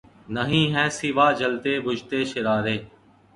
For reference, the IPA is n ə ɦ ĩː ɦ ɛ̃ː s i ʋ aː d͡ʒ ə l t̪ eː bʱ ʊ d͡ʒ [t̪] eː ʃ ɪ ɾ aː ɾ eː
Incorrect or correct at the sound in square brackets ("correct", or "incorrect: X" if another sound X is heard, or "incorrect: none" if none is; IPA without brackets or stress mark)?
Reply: correct